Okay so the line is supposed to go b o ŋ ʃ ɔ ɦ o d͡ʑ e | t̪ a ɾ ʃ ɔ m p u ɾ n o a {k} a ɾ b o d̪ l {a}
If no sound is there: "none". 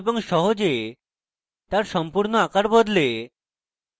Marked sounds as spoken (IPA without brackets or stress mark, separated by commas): k, e